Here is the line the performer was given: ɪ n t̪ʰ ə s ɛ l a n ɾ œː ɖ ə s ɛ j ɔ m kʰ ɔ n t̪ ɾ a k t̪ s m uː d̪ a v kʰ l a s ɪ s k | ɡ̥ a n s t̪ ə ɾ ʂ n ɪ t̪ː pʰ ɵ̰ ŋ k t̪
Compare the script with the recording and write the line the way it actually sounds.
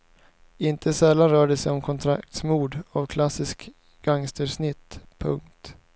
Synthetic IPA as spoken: ɪ n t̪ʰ ə s ɛ lː a n ɾ œː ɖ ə s ɛ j ɔ m kʰ ɔ n t̪ʰ ɾ a k t̪ s m uː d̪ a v kʰ l a s ɪ s k | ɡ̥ a ŋ s t̪ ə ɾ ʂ n ɪ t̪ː pʰ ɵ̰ ŋ k t̪